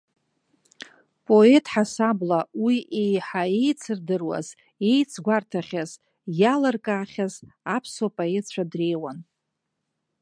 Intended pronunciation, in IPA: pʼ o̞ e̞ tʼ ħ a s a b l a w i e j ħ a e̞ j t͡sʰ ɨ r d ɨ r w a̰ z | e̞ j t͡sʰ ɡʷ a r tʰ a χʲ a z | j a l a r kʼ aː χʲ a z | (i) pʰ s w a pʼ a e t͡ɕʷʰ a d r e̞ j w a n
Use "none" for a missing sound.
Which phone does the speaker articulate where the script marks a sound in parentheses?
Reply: a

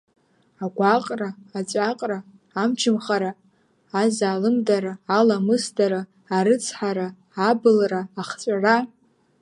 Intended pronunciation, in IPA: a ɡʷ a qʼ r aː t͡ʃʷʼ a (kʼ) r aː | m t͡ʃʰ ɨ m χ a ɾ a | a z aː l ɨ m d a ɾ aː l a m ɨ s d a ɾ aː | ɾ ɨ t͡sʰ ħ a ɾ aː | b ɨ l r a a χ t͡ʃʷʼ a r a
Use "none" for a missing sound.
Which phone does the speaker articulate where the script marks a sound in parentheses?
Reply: qʼ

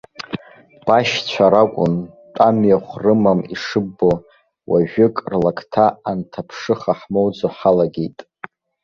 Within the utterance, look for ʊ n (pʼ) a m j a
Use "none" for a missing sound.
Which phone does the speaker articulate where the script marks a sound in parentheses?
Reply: tʼ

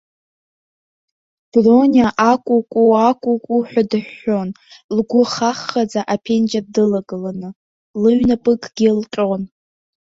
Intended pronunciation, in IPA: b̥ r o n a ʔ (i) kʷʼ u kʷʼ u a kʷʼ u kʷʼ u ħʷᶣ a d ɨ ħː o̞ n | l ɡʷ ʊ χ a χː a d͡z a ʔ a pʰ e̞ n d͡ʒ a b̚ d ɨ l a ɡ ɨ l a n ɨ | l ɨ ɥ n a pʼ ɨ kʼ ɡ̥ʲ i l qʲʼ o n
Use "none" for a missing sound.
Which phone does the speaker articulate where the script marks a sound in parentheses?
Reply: a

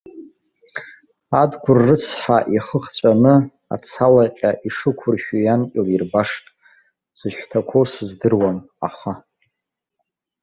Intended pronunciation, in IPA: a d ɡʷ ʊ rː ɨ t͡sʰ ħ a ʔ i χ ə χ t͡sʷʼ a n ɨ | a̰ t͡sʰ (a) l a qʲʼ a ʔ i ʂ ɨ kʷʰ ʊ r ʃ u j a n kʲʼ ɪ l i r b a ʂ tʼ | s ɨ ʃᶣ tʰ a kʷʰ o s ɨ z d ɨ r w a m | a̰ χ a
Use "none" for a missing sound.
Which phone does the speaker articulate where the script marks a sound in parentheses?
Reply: a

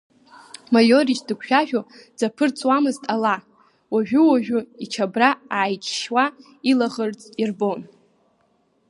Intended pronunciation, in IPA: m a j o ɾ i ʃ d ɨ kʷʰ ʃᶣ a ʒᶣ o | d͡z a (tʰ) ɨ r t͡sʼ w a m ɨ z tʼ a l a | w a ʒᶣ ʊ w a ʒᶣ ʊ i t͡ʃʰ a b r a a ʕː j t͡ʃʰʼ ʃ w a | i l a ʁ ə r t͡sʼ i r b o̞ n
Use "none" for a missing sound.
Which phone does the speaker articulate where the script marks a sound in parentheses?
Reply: pʰ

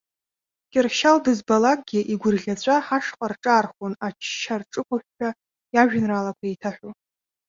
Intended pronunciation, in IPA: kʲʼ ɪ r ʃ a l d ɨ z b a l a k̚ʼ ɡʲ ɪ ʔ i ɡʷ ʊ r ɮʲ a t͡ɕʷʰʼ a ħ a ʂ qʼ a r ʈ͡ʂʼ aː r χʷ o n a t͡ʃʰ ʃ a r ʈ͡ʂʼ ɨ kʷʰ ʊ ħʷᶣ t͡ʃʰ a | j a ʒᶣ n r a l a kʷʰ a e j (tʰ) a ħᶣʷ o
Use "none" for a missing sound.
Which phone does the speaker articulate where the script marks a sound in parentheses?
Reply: tʰ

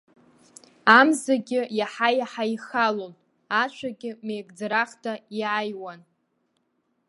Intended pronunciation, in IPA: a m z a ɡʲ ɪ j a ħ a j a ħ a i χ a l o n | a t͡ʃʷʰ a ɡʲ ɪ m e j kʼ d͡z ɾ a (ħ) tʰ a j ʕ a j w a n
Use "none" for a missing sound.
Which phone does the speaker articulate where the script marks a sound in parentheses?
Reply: χ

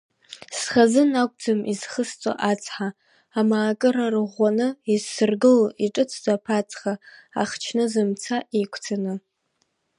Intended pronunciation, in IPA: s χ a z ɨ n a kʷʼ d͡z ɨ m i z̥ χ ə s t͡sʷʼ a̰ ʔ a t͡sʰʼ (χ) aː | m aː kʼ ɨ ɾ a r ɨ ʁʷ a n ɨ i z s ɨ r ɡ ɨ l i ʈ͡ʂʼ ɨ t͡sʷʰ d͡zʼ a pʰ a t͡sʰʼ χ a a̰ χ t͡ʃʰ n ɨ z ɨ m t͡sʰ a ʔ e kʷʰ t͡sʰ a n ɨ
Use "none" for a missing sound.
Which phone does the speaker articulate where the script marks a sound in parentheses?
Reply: ħ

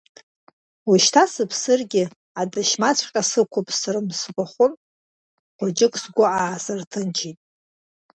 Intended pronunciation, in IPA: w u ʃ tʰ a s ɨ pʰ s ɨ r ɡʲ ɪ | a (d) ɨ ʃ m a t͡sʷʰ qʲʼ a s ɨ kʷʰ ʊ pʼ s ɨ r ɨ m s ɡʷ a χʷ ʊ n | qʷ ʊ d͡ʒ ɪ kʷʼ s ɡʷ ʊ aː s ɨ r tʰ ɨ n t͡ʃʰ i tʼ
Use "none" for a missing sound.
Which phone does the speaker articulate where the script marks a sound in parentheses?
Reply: d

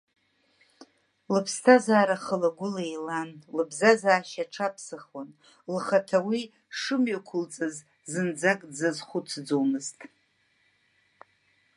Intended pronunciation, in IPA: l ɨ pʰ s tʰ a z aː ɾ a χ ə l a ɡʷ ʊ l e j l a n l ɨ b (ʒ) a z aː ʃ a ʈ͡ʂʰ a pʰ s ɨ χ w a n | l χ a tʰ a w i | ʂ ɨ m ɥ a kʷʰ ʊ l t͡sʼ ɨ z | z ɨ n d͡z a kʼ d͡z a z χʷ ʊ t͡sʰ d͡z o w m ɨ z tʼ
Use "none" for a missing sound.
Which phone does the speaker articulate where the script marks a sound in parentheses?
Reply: z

